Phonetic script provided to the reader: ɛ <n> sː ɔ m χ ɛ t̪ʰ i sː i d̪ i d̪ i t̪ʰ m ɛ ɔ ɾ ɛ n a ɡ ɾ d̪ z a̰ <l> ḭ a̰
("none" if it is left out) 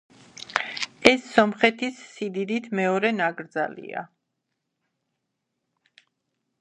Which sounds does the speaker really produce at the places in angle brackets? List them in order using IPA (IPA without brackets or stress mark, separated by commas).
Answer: none, l